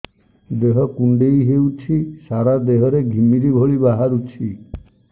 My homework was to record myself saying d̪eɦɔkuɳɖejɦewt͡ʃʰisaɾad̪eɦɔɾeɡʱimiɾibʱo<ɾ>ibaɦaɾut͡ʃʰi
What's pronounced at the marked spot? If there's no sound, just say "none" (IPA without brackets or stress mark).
ɭ